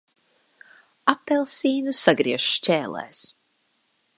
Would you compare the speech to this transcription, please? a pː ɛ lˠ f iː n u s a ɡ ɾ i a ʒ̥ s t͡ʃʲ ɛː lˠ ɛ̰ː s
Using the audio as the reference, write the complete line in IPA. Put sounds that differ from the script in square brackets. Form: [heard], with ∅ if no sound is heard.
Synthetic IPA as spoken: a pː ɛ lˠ [s] iː n u s a ɡ ɾ i [ɛ] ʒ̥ [ʃ] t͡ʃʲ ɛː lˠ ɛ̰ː s